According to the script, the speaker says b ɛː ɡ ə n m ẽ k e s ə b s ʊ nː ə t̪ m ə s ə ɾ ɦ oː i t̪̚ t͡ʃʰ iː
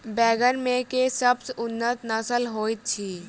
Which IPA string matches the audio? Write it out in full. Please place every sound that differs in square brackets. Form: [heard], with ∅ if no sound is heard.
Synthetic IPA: b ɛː ɡ ə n m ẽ k e s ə b s ʊ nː ə t̪ [n] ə s ə [l] ɦ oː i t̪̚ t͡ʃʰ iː